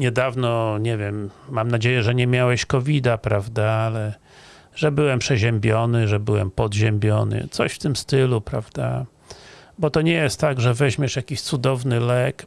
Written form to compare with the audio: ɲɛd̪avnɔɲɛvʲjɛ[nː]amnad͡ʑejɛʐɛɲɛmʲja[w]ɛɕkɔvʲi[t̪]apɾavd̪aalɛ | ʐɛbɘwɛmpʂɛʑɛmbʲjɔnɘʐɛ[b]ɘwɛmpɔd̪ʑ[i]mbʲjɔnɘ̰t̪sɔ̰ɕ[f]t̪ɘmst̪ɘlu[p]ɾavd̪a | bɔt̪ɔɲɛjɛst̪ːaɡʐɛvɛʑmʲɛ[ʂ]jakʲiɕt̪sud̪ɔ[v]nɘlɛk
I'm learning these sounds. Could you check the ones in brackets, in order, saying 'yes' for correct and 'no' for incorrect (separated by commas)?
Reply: no, yes, no, yes, no, yes, yes, yes, yes